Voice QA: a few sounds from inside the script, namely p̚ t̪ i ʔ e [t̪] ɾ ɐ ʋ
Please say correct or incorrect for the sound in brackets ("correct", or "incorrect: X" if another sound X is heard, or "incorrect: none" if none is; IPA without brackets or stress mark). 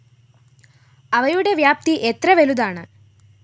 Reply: correct